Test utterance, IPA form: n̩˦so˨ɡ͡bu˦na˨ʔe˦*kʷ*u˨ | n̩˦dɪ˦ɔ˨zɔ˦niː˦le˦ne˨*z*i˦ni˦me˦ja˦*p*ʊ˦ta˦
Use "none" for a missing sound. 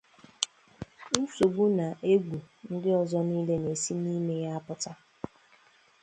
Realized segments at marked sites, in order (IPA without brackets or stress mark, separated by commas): ɡʷ, s, p